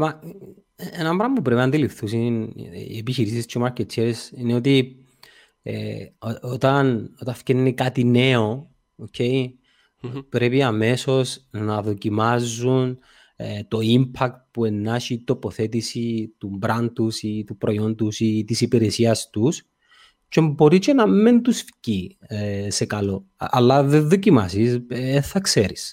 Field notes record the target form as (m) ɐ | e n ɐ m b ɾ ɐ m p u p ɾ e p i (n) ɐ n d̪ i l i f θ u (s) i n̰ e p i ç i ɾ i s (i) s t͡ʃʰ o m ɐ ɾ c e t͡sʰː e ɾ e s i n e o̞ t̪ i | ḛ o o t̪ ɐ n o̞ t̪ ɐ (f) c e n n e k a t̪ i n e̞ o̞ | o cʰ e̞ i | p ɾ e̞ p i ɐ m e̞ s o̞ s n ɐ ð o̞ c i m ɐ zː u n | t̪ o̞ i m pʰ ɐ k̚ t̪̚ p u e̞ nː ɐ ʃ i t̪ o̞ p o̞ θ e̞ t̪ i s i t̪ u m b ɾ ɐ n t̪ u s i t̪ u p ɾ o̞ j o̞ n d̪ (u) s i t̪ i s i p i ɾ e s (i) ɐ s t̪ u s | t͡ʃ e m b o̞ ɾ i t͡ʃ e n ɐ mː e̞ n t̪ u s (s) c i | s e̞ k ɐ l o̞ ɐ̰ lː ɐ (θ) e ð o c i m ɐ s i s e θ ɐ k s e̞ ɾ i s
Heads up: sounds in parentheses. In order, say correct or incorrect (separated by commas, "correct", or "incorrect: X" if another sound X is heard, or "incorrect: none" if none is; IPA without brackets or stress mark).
correct, correct, correct, correct, correct, correct, correct, incorrect: f, incorrect: ð